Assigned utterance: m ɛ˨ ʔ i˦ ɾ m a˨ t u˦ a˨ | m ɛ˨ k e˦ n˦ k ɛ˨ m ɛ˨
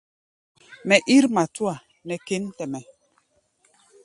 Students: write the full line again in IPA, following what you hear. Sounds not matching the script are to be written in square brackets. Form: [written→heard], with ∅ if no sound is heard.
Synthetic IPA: m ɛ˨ ʔ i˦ ɾ m a˨ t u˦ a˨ | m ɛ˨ k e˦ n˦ [k→t] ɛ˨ m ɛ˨